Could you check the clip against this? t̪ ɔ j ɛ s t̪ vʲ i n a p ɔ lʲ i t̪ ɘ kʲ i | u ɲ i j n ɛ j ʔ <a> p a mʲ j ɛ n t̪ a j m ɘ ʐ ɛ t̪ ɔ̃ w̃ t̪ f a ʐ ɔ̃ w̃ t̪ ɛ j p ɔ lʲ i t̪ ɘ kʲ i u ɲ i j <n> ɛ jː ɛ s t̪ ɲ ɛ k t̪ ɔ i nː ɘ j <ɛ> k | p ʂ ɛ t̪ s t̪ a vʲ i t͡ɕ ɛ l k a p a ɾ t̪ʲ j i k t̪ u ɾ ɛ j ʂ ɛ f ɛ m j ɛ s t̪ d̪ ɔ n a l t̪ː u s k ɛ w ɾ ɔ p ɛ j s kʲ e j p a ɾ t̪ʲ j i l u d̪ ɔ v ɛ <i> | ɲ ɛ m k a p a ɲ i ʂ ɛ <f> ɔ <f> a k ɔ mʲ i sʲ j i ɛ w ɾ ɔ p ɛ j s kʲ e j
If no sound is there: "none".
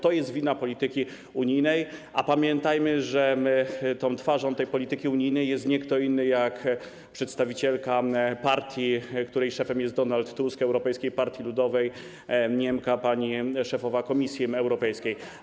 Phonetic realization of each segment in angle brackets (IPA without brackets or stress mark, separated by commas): a, n, a, j, f, v